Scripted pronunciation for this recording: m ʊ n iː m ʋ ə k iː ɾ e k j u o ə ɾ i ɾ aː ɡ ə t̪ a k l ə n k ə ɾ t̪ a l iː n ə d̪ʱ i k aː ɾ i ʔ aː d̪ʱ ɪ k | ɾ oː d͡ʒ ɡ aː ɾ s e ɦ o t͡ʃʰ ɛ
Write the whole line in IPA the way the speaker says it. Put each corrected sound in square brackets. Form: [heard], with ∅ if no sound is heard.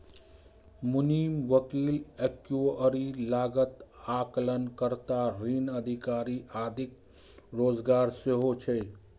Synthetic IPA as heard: m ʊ n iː m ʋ ə k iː [l] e k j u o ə ɾ i [l] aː ɡ ə t̪ a k l ə n k ə ɾ t̪ a [ɾ] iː n ə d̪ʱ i k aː ɾ i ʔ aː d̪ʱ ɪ k | ɾ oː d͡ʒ ɡ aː ɾ s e ɦ o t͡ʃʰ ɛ